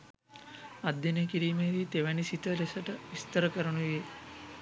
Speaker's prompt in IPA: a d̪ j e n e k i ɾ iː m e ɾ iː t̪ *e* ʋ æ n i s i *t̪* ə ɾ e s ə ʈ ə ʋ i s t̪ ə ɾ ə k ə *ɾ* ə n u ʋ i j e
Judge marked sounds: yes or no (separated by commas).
yes, yes, yes